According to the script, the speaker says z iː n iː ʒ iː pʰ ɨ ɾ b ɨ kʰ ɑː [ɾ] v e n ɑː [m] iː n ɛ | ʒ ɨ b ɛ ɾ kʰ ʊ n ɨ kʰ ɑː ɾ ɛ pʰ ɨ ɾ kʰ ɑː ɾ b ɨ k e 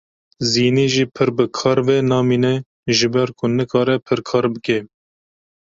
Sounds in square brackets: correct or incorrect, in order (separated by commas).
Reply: correct, correct